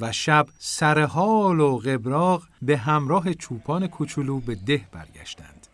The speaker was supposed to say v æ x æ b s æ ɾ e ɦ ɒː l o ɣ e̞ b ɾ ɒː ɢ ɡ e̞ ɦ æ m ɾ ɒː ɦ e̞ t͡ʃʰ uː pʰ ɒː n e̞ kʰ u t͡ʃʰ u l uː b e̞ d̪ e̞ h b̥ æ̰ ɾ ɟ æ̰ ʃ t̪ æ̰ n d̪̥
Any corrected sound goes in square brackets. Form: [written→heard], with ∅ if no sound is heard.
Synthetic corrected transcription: v æ [x→ʃ] æ b s æ ɾ e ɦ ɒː l o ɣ e̞ b ɾ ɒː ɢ [ɡ→b] e̞ ɦ æ m ɾ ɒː ɦ e̞ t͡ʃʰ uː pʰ ɒː n e̞ kʰ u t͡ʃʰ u l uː b e̞ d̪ e̞ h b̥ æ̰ ɾ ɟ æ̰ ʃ t̪ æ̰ n d̪̥